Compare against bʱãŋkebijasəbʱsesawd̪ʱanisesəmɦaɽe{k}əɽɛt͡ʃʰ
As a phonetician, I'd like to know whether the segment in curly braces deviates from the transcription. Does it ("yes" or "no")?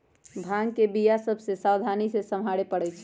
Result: yes